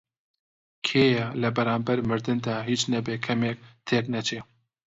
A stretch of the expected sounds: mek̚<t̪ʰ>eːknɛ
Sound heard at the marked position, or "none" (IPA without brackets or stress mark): t̪ʰ